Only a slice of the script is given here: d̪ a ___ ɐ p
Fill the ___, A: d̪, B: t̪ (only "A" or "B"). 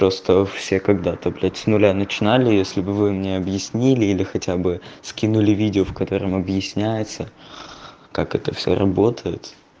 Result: B